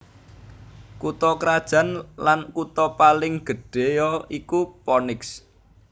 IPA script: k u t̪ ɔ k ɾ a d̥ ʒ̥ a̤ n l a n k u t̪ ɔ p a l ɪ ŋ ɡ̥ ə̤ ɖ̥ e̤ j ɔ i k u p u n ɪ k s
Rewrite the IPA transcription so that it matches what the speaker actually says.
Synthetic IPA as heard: k u t̪ ɔ k ɾ a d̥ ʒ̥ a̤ n l a n k u t̪ ɔ p a l ɪ ŋ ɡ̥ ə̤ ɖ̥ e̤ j ɔ i k u p ɔ n ɪ k s

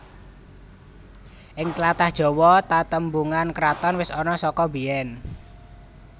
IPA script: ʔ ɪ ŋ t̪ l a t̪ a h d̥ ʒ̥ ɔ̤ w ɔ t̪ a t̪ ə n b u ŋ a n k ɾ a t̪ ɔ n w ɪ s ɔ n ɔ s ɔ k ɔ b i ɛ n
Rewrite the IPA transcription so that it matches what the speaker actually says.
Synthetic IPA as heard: ʔ ɪ ŋ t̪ l a t̪ a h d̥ ʒ̥ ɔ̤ w ɔ t̪ a t̪ ə m b u ŋ a n k ɾ a t̪ ɔ n w ɪ s ɔ n ɔ s ɔ k ɔ b i ɛ n

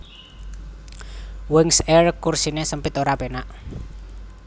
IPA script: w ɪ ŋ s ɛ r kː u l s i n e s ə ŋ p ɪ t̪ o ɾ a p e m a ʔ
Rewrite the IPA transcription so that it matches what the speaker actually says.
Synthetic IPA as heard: w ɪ ŋ s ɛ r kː u r s i n e s ə m p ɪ t̪ o ɾ a p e n a ʔ

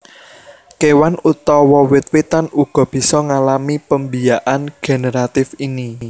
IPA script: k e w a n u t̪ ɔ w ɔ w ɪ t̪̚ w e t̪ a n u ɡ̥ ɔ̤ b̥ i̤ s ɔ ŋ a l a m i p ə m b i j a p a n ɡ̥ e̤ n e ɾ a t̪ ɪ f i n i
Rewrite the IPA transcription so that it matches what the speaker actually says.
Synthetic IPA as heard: k e w a n u t̪ ɔ w ɔ w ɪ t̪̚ w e t̪ a n u ɡ̥ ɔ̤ b̥ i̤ s ɔ ŋ a l a m i p ə m b i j a ʔ a n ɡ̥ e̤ n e ɾ a t̪ ɪ f i n i

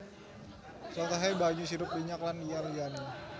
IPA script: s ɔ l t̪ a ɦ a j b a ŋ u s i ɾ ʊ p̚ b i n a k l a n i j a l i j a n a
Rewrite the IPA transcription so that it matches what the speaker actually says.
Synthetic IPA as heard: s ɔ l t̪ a ɦ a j b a ɲ u s i ɾ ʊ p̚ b i ɲ a k l a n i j a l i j a n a

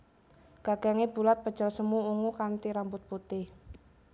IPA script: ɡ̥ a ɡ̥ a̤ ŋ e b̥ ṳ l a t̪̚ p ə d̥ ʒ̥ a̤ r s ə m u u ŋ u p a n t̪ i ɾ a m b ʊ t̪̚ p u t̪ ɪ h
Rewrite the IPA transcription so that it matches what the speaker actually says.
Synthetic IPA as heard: ɡ̥ a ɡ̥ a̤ ŋ e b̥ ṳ l a t̪̚ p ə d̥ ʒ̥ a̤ l s ə m u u ŋ u k a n t̪ i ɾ a m b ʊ t̪̚ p u t̪ ɪ h

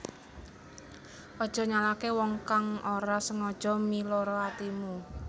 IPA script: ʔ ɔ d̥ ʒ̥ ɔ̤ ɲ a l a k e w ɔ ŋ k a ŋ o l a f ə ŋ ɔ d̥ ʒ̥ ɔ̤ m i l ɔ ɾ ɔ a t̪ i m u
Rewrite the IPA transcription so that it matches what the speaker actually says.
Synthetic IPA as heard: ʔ ɔ d̥ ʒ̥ ɔ̤ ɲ a l a k e w ɔ ŋ k a ŋ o ɾ a s ə ŋ ɔ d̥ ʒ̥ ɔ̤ m i l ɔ ɾ ɔ a t̪ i m u

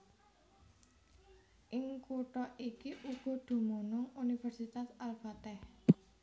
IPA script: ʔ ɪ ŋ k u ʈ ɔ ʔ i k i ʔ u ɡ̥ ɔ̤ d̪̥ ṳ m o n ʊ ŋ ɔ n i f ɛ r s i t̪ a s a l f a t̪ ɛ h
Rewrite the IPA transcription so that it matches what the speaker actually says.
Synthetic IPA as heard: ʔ ɪ ŋ k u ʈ ɔ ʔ i k i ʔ u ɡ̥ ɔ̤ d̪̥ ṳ m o n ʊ ŋ u n i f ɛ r s i t̪ a s a l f a t̪ ɛ h

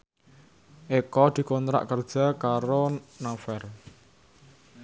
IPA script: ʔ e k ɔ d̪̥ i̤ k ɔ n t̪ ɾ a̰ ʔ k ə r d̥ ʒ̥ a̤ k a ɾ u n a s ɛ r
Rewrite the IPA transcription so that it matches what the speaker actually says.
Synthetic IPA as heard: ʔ e k ɔ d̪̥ i̤ k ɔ n t̪ ɾ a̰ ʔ k ə r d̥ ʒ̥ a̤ k a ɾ o n a f ɛ r

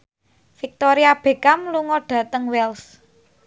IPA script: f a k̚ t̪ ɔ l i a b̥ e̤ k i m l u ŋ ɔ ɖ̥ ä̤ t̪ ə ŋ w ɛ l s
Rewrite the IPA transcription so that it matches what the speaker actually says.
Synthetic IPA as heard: f i k̚ t̪ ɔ ɾ i a b̥ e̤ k a m l u ŋ ɔ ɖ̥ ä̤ t̪ ə ŋ w ɛ l s

